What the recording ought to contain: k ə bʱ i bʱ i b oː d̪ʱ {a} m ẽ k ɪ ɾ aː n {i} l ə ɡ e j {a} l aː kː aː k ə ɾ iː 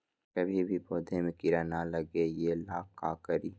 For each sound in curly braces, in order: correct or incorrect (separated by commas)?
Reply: incorrect, incorrect, incorrect